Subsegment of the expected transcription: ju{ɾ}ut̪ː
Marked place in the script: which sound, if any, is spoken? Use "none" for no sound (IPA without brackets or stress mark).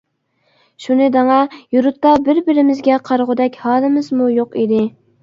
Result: ɾ